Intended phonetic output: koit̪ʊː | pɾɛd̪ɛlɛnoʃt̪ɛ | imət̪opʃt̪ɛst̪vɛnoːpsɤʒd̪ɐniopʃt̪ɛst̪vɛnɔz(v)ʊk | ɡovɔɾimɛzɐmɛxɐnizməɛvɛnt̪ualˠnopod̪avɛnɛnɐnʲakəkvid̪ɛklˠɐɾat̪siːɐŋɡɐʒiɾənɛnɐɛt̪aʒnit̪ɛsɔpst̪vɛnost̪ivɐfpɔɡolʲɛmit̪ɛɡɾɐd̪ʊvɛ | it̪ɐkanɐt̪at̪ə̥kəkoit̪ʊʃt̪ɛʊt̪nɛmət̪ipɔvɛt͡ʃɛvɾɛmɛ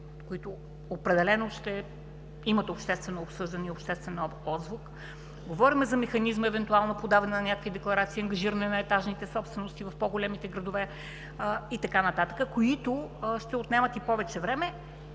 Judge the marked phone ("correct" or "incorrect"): correct